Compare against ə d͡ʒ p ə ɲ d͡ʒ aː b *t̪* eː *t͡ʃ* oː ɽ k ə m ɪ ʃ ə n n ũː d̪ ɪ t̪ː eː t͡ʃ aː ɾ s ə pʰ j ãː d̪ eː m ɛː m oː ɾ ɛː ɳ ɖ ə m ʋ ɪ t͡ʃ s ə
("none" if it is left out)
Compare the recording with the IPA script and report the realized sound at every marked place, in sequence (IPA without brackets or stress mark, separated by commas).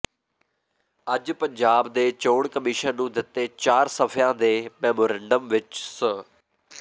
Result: d̪, t͡ʃ